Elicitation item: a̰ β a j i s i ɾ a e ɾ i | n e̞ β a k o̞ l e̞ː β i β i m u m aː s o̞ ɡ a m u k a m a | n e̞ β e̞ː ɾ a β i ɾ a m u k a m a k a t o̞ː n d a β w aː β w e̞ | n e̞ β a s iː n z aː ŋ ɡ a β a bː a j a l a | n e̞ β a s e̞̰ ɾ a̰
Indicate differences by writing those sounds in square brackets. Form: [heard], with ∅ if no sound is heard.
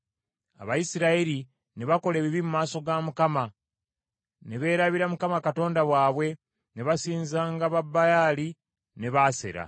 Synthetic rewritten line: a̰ β a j i s i ɾ a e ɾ i | n e̞ β a k o̞ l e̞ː β i β i m u m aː s o̞ ɡ a m u k a m a | n e̞ β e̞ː ɾ a β i ɾ a m u k a m a k a t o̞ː n d a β w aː β w e̞ | n e̞ β a s iː n z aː ŋ ɡ a β a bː a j a l [i] | n e̞ β a s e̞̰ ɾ a̰